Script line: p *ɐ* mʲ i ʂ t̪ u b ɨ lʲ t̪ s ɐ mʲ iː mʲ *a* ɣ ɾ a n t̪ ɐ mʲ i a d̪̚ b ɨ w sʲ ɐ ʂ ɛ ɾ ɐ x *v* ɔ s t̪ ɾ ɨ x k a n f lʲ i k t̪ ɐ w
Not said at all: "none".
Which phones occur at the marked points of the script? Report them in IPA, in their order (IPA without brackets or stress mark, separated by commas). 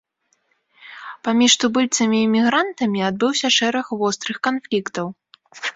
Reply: a, i, v